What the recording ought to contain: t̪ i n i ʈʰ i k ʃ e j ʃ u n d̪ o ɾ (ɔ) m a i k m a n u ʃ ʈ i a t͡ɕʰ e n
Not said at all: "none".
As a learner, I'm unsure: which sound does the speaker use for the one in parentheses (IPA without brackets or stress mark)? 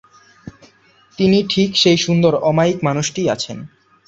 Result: ɔ